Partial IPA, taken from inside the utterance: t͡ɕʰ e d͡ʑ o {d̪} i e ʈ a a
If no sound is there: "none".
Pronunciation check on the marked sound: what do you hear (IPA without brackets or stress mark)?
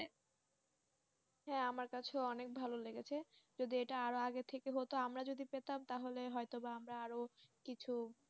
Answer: d̪